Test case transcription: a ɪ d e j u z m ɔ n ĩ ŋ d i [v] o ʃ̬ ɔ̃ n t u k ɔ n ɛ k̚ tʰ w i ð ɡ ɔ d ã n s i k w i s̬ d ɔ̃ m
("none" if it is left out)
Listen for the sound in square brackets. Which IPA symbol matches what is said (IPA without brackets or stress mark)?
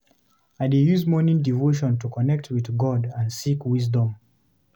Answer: v